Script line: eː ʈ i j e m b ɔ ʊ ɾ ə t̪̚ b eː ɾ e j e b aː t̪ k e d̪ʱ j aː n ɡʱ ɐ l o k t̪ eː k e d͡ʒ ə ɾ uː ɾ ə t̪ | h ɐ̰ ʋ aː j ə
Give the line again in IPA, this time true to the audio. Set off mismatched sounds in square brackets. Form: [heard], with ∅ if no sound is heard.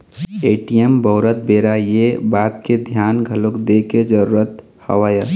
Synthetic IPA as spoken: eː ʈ i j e m b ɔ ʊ ɾ ə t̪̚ b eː ɾ [a] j e b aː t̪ k e d̪ʱ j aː n ɡʱ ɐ l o k [d̪] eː k e d͡ʒ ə ɾ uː ɾ ə t̪ | h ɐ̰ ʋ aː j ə